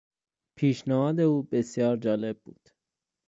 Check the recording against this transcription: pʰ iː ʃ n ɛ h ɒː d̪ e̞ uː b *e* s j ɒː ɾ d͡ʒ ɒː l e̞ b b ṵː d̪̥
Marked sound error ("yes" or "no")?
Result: no